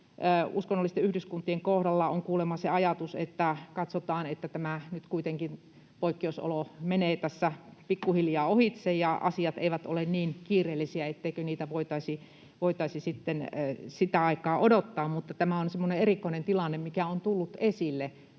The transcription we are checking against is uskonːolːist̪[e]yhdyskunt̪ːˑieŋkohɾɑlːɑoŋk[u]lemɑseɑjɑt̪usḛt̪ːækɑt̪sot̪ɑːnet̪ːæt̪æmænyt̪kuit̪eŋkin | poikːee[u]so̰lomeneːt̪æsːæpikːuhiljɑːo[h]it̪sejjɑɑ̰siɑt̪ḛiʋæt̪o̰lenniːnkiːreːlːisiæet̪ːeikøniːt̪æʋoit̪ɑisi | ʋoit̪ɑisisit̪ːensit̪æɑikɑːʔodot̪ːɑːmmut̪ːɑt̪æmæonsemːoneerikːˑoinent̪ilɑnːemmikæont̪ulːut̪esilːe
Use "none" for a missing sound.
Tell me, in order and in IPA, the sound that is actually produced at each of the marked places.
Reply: e, uː, u, h

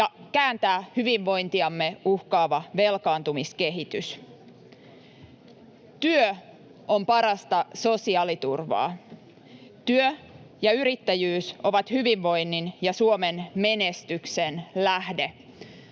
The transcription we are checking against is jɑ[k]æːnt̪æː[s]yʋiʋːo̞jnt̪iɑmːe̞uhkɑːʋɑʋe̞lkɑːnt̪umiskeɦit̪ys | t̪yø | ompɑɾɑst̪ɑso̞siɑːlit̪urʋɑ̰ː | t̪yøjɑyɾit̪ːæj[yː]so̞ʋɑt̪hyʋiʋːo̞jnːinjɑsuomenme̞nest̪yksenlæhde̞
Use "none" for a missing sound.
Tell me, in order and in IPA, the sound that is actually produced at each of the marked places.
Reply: k, h, yː

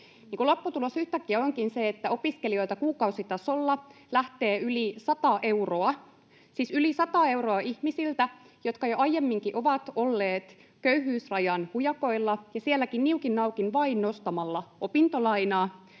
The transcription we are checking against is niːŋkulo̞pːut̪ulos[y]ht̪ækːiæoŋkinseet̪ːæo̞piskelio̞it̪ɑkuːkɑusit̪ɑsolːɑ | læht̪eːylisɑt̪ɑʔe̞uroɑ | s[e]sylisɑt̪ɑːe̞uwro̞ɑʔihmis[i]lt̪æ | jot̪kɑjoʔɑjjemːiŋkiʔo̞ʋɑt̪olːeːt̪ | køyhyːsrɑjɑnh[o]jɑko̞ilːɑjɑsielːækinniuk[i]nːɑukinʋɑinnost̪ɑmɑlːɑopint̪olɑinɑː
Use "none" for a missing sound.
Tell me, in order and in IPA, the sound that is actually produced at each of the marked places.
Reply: y, i, i, u, i

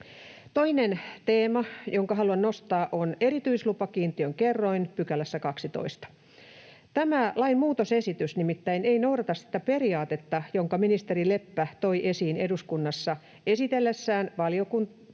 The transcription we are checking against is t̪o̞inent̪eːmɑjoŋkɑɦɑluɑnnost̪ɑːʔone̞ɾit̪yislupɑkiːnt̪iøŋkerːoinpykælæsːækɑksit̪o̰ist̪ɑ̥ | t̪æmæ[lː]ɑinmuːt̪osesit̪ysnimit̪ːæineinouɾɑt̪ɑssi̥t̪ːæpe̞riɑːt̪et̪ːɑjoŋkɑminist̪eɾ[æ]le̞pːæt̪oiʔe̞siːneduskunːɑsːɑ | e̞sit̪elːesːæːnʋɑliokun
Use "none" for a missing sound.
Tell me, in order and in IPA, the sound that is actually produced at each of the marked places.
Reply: l, i

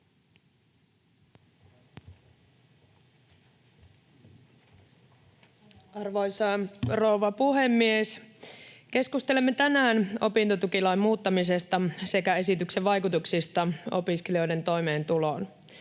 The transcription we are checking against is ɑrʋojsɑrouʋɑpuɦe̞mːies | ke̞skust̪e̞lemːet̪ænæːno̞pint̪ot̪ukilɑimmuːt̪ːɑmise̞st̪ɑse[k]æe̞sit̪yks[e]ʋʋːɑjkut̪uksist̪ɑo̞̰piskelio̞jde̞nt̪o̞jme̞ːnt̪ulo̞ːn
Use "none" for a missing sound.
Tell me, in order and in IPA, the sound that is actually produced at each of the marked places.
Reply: k, e

